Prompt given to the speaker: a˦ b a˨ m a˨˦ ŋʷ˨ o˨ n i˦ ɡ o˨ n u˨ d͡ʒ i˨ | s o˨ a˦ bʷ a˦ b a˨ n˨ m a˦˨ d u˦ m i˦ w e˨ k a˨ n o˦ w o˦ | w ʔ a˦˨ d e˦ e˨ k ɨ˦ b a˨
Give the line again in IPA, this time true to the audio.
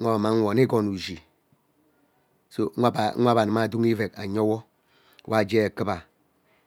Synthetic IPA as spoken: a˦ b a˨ m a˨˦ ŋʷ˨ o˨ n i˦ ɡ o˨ n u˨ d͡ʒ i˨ | s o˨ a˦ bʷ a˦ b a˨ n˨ m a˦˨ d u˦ ŋ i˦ v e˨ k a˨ ɲ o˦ w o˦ | w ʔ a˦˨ d͡ʒ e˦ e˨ k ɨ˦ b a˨